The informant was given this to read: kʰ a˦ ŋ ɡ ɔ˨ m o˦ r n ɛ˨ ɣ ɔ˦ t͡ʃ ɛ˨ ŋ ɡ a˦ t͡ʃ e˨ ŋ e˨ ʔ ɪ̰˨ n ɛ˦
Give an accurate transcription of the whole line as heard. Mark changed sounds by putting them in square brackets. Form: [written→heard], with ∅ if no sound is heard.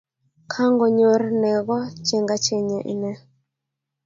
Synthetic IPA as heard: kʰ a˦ ŋ ɡ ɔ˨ [m→ɲ] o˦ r n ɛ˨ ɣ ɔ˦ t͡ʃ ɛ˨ ŋ ɡ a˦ t͡ʃ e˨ [ŋ→ɲ] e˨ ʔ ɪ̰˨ n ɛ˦